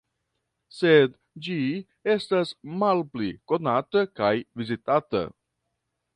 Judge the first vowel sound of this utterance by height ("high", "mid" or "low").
mid